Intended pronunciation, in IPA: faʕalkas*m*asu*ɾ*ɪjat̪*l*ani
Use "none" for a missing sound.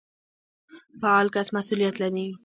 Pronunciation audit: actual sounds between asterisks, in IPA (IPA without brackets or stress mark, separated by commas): m, l, l